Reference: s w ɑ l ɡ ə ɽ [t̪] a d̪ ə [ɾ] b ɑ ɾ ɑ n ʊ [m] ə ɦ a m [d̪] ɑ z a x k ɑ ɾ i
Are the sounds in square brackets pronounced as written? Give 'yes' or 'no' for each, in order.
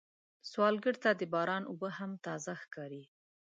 yes, no, no, no

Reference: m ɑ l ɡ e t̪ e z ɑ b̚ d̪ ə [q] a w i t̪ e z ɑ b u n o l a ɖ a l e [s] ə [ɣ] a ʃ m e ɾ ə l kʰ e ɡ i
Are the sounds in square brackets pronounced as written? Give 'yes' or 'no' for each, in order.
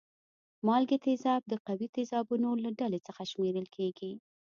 yes, no, no

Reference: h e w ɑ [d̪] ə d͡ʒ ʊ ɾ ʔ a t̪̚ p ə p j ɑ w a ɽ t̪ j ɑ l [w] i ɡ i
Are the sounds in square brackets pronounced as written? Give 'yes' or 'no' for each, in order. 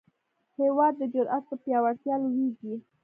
no, yes

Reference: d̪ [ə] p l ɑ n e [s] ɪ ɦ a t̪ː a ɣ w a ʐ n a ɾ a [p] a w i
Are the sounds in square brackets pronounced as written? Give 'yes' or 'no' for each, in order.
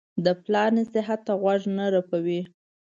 yes, yes, yes

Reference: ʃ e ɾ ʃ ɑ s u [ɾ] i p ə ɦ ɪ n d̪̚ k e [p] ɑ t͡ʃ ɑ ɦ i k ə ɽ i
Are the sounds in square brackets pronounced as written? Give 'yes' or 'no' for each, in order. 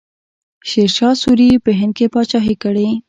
yes, yes

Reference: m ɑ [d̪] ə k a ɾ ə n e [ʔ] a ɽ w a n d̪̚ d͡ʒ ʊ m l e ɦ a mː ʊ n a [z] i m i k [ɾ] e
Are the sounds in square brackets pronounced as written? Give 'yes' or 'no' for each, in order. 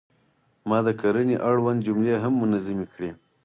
yes, yes, yes, no

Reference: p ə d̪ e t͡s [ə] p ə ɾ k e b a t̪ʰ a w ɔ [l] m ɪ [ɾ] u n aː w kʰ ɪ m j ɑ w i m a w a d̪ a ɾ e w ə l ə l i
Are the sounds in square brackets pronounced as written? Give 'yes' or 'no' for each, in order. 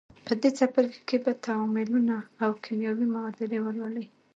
no, no, no

